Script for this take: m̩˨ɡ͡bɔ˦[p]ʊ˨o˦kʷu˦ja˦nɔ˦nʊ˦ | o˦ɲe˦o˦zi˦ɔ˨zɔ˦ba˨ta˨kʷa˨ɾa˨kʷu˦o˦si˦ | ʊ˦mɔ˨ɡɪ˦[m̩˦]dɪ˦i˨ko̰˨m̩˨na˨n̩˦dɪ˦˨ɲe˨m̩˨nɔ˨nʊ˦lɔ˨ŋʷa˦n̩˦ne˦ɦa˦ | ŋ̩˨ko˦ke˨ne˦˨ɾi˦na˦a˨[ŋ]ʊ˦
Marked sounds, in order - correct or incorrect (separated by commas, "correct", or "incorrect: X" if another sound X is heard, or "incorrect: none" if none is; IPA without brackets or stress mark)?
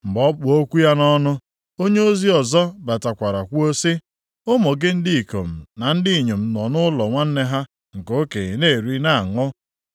incorrect: k͡p, incorrect: n̩˦, correct